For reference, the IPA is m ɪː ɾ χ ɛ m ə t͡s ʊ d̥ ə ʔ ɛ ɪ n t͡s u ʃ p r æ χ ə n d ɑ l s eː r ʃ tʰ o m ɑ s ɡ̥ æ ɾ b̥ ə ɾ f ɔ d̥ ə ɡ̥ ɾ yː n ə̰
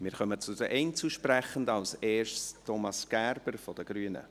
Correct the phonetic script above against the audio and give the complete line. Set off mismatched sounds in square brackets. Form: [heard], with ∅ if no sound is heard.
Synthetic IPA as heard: m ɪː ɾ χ [œ] m ə t͡s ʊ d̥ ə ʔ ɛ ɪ n t͡s u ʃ p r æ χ ə n d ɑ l s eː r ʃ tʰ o m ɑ s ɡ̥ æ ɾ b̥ ə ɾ f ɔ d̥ ə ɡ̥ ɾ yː n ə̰